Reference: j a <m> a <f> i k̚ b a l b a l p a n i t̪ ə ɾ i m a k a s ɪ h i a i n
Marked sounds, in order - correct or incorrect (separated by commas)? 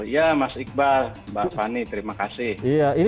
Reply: correct, incorrect